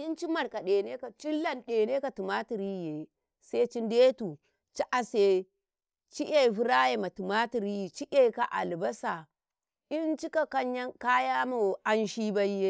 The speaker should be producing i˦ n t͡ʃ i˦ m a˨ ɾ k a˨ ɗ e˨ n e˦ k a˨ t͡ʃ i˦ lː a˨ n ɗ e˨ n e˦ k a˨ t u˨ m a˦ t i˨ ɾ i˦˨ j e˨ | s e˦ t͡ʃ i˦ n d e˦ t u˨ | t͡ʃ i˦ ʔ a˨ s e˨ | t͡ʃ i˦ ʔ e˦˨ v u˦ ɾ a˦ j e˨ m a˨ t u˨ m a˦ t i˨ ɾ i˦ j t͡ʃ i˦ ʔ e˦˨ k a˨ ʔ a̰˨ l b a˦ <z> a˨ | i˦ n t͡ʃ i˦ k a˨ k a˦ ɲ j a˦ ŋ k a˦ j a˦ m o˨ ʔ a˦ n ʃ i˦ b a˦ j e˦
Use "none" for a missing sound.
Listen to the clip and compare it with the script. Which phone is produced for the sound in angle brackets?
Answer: s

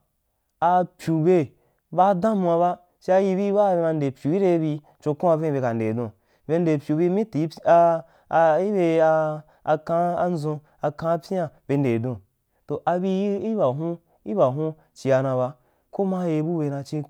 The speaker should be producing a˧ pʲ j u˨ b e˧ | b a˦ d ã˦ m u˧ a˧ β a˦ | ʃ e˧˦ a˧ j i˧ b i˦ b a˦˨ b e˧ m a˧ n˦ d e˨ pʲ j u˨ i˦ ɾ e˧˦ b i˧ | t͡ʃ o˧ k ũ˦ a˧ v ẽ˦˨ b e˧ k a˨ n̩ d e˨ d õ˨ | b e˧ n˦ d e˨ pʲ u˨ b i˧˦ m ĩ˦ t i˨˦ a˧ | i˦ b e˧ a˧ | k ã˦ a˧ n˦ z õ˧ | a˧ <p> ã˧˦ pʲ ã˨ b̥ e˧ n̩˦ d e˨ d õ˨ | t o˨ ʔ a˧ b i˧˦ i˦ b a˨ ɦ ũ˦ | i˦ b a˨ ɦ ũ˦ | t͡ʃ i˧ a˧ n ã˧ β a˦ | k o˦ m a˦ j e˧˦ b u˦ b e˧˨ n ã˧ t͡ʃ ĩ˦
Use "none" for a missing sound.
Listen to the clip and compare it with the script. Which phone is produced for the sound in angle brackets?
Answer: k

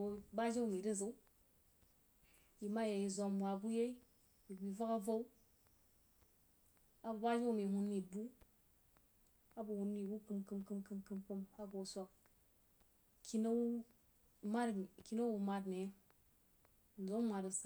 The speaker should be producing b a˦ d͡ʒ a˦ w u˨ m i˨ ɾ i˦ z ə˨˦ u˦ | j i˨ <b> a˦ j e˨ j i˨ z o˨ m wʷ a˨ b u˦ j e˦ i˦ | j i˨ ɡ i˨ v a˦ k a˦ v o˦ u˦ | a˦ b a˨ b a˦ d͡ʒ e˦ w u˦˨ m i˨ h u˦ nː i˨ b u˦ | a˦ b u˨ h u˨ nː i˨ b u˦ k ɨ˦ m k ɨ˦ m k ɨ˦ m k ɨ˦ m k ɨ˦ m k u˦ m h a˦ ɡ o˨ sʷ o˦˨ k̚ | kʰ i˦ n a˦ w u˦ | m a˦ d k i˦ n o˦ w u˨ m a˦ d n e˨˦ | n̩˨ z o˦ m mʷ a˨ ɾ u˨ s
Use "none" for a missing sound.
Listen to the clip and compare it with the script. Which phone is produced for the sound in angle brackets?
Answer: m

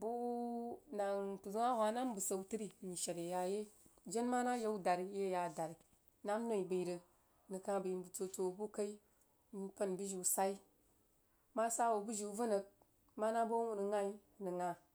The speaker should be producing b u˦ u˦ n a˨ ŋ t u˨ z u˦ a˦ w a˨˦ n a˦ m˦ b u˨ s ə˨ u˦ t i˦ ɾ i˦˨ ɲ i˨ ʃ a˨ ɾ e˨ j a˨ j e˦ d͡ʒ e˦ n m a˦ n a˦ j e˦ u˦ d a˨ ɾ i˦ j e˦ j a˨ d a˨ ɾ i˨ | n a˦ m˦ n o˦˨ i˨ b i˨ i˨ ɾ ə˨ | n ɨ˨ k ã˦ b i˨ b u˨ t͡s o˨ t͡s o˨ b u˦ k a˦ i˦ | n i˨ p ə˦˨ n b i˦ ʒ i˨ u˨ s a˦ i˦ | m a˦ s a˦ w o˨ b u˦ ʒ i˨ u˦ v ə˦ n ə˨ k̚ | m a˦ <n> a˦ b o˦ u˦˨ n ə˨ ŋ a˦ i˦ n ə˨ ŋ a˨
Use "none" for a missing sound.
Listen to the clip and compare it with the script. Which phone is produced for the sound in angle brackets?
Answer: n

